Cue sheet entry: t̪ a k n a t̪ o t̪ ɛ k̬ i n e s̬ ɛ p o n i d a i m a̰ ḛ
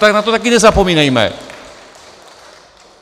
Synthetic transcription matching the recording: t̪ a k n a t̪ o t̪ a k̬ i n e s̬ a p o m i n a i m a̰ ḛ